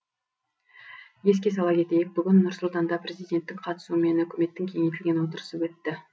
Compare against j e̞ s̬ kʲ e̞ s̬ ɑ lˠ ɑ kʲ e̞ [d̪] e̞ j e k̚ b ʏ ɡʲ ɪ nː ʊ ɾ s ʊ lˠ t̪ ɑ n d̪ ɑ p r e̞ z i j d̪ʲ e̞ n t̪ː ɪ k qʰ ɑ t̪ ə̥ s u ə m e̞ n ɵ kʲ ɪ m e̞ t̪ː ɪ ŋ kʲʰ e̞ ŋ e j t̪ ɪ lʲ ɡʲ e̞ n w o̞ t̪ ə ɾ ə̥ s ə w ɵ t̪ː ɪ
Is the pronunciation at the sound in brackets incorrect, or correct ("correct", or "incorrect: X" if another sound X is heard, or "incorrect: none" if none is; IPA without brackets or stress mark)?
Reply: incorrect: t̪